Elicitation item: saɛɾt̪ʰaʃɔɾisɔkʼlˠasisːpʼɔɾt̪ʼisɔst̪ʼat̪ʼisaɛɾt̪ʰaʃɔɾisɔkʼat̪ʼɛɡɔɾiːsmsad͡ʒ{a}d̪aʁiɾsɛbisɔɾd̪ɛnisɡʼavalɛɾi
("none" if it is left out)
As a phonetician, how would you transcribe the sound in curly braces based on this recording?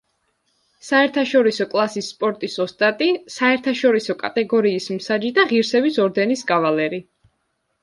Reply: i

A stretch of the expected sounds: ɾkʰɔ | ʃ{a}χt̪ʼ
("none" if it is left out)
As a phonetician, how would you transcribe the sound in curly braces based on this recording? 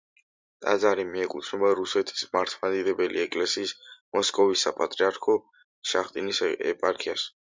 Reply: a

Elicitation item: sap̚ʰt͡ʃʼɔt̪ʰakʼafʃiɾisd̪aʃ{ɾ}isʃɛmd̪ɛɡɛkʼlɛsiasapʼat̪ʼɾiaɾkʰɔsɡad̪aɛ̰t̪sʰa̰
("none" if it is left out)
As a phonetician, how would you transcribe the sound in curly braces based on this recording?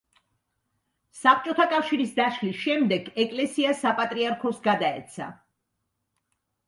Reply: l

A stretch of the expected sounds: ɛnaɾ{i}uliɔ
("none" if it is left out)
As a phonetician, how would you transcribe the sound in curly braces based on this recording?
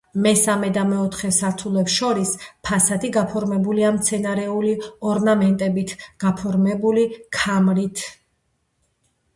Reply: ɛ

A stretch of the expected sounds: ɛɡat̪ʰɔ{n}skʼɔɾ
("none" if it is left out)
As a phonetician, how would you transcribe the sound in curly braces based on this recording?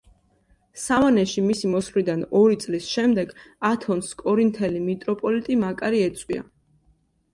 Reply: n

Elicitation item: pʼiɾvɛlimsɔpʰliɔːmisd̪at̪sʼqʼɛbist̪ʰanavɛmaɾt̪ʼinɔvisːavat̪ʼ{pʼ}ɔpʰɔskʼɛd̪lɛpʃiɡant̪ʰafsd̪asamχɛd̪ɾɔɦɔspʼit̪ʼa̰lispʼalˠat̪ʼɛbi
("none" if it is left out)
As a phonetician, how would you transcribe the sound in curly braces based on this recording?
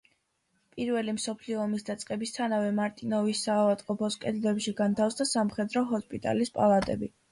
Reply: qʼ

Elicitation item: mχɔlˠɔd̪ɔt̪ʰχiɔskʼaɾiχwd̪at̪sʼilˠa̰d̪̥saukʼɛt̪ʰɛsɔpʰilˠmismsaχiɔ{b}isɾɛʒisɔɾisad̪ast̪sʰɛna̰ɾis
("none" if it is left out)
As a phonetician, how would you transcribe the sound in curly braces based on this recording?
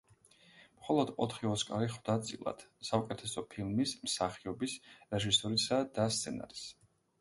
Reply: b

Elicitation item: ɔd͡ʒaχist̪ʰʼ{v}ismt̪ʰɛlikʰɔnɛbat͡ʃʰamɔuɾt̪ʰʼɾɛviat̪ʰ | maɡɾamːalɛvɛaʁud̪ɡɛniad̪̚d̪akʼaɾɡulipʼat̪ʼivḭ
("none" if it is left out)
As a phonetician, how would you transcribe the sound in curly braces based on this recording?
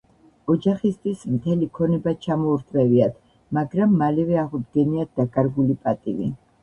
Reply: w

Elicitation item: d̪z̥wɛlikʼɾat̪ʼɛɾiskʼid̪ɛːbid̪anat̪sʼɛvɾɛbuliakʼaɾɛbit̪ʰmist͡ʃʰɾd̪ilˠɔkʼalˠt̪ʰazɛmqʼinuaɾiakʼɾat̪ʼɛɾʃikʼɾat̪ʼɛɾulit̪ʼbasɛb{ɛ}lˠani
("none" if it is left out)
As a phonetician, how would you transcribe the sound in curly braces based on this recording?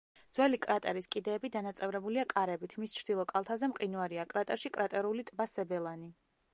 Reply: ɛ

